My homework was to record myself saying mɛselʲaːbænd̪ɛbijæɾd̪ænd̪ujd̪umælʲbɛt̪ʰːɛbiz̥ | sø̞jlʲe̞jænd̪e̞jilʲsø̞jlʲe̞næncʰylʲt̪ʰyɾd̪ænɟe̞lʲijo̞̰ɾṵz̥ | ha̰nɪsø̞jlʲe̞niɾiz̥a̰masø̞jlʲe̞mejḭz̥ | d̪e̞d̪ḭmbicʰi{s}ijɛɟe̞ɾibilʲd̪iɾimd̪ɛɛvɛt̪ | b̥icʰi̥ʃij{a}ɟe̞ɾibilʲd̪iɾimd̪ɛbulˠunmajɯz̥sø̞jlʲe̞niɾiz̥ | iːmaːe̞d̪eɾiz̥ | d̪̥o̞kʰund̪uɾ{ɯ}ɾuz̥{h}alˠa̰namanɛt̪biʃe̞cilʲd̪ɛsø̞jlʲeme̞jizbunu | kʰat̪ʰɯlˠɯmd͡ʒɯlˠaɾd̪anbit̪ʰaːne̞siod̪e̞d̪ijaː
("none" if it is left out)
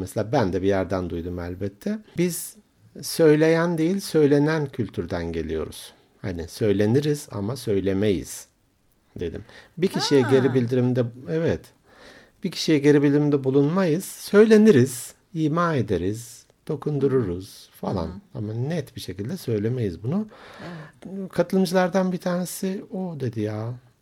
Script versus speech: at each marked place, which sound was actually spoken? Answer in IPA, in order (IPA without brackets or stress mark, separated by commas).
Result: ʃ, ɛ, u, f